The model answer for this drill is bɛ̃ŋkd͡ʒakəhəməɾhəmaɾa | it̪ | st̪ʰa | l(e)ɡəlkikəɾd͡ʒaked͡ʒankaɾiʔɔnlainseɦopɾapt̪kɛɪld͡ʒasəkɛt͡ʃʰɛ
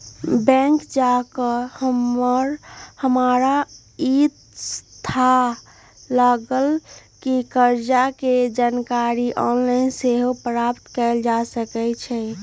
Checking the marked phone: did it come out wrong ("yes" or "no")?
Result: yes